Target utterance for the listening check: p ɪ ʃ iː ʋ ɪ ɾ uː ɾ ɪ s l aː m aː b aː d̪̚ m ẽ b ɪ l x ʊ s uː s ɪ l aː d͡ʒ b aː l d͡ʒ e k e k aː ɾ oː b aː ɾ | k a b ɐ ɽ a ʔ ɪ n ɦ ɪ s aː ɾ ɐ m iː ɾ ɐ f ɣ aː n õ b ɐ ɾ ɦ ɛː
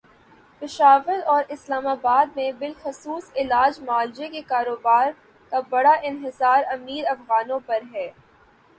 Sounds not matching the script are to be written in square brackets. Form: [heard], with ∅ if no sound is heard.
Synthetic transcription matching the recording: p ɪ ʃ [aː] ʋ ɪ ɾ [ɔː] ɾ ɪ s l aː m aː b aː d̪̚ m ẽ b ɪ l x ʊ s uː s ɪ l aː d͡ʒ [m] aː l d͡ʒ e k e k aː ɾ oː b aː ɾ | k a b ɐ ɽ a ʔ ɪ n ɦ ɪ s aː ɾ ɐ m iː ɾ ɐ f ɣ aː n õ [p] ɐ ɾ ɦ ɛː